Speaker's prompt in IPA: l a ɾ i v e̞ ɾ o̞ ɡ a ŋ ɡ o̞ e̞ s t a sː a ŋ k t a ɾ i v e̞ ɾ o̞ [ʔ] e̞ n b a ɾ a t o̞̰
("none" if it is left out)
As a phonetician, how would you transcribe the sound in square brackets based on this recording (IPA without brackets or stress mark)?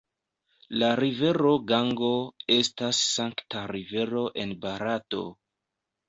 ʔ